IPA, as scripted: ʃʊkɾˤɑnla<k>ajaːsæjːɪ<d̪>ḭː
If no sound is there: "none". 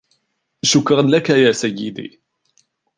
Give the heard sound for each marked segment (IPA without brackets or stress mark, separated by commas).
k, d̪